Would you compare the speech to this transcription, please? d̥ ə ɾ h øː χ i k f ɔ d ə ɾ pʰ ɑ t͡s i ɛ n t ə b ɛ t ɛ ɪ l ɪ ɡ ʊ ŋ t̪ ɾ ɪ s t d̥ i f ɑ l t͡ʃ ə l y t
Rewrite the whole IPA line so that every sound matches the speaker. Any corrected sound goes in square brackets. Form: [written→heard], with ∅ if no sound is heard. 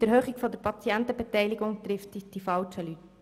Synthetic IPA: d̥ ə ɾ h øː χ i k f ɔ d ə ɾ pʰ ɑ t͡s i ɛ n t ə b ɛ t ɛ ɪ l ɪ ɡ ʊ ŋ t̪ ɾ ɪ [s→f] t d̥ i f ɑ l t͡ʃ ə l y t